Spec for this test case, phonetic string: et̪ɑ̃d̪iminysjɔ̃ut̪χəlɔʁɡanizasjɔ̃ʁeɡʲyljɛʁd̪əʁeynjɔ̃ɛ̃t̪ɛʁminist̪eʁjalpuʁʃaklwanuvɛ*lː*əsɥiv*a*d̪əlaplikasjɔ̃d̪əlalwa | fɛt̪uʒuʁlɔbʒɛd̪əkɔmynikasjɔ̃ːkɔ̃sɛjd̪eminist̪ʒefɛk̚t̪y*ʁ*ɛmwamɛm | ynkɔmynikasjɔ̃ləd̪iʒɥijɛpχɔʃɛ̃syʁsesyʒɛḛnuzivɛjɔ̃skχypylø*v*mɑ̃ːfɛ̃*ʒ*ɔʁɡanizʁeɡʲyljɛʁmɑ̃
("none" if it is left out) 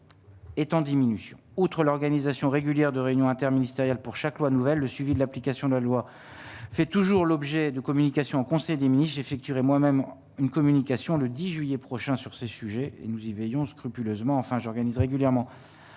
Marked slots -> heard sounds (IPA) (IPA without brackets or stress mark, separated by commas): lː, i, ʁ, z, ʒ